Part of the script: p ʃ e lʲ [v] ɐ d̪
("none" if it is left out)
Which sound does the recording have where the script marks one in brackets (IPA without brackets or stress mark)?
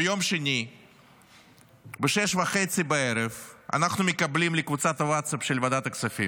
v